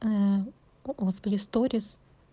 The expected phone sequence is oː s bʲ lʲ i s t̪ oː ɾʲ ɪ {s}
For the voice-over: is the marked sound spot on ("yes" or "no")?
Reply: yes